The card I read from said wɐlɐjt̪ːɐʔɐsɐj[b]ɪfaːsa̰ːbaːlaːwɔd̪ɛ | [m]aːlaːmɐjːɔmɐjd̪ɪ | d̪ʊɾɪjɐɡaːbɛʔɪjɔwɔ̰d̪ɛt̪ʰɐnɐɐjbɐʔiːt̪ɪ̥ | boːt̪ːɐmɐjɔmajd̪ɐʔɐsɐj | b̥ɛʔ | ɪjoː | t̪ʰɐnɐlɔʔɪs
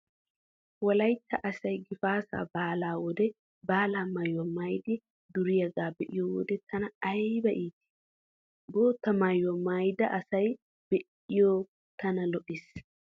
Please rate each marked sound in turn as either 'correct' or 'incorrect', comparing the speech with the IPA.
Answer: incorrect: ɡ, incorrect: b

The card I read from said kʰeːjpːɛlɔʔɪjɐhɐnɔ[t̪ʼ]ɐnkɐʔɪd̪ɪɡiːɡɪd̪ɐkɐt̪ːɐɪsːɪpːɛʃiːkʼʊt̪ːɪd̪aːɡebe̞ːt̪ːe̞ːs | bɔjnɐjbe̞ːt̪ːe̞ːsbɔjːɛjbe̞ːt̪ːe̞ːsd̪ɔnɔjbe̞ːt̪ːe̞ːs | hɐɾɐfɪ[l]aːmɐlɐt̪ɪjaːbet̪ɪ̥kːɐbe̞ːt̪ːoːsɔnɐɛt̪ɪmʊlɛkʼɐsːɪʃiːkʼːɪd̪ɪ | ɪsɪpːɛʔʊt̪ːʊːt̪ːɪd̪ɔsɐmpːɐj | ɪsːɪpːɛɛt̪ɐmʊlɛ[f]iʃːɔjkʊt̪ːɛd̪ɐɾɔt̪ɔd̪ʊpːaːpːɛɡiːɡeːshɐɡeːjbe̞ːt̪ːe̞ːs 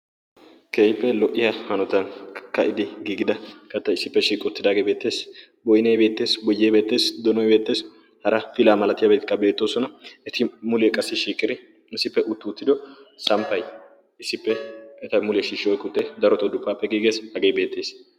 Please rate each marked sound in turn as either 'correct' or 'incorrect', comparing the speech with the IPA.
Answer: incorrect: t̪, correct, incorrect: ʃ

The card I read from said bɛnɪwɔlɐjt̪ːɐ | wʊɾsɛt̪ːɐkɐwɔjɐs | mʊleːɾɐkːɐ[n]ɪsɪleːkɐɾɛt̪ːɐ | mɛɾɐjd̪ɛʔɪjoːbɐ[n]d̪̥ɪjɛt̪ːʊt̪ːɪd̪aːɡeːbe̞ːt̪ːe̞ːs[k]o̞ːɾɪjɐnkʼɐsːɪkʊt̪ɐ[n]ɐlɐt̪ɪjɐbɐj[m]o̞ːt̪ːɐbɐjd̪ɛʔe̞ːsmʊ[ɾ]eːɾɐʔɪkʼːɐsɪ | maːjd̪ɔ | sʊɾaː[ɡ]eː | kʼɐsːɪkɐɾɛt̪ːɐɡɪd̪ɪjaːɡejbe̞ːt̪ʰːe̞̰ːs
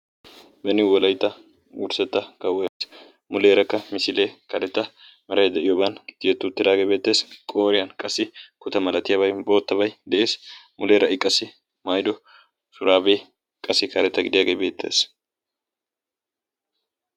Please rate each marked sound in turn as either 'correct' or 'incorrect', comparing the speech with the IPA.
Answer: incorrect: m, correct, incorrect: kʼ, incorrect: m, incorrect: b, incorrect: l, incorrect: b

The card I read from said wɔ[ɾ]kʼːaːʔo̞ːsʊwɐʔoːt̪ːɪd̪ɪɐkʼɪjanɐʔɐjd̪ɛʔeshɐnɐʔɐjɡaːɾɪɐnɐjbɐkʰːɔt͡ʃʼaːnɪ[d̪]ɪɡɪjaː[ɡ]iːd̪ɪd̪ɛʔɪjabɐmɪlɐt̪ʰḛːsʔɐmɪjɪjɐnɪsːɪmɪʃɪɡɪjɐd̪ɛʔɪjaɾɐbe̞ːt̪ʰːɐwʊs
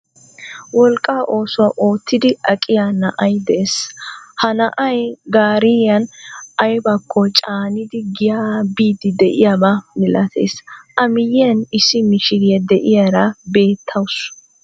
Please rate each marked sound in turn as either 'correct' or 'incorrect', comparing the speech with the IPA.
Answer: incorrect: l, correct, incorrect: b

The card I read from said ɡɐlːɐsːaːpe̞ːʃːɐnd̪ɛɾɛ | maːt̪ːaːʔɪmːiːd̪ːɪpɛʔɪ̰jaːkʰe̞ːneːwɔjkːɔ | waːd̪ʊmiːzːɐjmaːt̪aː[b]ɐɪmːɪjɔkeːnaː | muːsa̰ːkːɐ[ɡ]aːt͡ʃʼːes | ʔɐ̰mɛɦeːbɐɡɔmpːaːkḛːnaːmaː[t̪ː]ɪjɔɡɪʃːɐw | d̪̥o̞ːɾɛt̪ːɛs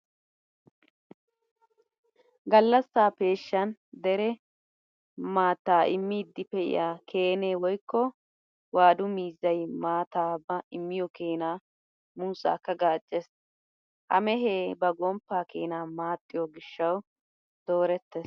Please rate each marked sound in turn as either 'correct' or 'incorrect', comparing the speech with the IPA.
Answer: correct, correct, incorrect: t̪ʼː

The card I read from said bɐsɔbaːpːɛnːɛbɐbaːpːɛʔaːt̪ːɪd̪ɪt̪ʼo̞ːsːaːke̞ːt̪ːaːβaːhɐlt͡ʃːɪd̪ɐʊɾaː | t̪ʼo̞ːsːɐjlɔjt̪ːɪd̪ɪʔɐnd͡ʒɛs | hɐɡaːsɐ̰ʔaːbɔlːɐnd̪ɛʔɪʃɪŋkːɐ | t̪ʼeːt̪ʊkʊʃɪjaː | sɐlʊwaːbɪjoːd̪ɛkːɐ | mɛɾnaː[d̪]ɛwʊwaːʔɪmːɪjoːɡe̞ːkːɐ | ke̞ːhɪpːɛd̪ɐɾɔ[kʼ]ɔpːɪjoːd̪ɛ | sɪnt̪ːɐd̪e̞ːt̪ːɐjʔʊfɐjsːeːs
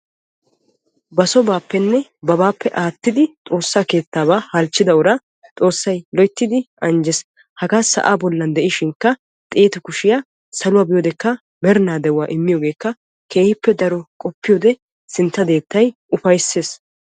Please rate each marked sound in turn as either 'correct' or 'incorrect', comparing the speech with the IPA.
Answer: correct, correct

